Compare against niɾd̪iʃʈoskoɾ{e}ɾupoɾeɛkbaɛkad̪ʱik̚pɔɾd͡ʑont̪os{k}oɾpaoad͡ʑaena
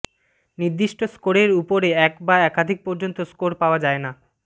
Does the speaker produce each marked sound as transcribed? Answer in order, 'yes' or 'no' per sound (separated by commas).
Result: yes, yes